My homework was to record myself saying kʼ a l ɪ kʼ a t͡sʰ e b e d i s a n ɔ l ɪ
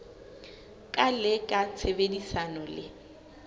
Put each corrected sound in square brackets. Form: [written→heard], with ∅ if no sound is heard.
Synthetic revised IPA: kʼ a l ɪ kʼ a t͡sʰ e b e d i s a n ɔ l ɪ